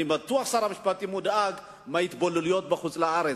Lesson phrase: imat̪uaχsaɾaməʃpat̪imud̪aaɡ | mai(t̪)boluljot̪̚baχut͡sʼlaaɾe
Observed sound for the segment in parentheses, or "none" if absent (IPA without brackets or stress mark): t̪